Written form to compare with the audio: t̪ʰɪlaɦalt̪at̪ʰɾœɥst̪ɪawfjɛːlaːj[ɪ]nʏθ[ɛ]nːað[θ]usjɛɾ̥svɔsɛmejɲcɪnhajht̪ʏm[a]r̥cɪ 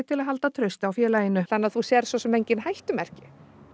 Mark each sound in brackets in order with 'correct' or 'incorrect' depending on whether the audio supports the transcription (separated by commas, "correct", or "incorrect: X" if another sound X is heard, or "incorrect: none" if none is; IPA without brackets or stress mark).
correct, incorrect: a, correct, incorrect: ɛ